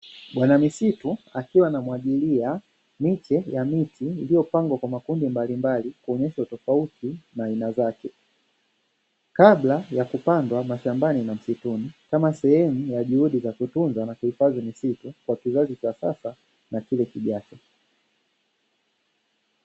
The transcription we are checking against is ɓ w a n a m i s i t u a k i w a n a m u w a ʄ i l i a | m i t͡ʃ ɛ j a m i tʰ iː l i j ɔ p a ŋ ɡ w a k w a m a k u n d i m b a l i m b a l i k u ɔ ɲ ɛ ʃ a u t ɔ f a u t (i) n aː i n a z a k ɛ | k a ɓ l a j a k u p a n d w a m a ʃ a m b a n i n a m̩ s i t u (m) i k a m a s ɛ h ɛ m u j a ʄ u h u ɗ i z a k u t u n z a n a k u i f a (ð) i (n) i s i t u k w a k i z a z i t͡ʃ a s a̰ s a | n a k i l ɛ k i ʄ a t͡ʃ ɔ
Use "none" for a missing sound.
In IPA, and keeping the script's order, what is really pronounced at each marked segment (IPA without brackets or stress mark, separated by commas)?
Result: i, n, z, m